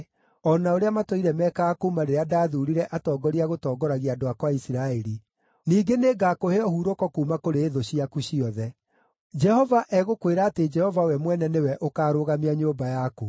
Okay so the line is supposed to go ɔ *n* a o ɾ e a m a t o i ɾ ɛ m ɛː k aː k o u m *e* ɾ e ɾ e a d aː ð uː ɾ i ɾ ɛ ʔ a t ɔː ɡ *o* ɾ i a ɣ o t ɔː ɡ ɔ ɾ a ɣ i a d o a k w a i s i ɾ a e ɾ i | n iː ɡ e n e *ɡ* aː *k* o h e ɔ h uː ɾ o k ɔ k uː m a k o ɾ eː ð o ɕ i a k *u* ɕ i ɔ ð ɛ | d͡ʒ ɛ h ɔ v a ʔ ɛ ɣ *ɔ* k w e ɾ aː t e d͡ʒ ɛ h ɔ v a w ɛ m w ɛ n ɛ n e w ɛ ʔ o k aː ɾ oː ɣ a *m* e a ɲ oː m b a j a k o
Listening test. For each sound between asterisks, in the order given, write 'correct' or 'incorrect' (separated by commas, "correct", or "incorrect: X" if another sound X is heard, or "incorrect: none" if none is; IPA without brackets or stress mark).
correct, incorrect: a, incorrect: ɔ, correct, correct, correct, incorrect: o, correct